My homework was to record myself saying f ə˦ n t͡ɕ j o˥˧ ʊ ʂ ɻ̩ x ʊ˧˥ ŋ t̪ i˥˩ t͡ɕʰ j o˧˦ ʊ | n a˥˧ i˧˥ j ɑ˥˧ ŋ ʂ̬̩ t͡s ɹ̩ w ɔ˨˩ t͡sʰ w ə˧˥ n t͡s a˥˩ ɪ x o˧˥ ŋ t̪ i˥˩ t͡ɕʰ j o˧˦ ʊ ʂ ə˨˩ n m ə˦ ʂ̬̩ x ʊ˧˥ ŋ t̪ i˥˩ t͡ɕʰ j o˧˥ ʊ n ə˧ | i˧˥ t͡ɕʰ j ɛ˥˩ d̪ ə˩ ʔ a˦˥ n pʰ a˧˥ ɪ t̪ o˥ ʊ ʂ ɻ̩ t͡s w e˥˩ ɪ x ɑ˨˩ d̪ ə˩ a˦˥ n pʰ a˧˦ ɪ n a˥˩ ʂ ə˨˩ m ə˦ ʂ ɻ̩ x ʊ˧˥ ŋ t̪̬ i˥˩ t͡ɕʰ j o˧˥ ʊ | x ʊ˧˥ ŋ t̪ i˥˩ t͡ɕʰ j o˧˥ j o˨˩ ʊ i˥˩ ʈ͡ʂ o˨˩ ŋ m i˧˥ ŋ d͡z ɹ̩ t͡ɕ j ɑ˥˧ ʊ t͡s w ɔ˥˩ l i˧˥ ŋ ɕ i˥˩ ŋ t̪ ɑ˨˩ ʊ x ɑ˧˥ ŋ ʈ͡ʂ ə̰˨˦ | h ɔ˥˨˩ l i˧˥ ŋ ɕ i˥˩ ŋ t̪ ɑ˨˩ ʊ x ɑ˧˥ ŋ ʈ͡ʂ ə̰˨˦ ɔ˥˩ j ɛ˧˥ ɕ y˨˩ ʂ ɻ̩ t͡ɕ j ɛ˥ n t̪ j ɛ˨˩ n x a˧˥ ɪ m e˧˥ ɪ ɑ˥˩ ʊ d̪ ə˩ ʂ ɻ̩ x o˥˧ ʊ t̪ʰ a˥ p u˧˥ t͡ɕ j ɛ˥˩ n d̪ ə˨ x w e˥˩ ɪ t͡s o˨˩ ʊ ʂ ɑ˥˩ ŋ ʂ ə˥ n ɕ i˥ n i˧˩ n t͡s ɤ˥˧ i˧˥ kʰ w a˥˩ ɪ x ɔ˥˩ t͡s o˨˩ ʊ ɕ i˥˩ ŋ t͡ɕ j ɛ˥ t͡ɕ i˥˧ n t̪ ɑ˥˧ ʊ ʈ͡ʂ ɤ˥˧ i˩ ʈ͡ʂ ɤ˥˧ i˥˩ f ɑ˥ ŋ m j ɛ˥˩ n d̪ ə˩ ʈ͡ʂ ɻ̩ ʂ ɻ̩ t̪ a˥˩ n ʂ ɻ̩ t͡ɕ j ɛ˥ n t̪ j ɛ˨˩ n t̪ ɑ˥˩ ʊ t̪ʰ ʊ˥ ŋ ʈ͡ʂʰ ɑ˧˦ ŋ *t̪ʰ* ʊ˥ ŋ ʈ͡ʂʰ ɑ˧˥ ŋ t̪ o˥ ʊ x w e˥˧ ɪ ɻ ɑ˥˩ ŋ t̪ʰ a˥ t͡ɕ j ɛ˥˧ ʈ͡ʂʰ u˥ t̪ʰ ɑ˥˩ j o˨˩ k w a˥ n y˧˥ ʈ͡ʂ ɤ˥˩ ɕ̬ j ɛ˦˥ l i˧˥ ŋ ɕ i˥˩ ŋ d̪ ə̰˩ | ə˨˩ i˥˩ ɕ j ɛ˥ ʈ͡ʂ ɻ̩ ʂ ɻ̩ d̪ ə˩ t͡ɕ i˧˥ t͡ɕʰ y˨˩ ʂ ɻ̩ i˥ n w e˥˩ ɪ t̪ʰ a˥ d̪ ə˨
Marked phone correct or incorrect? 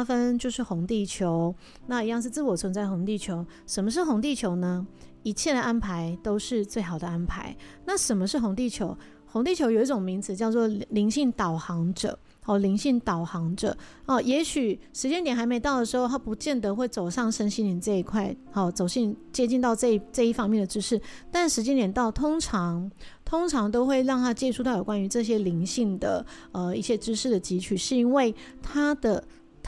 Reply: correct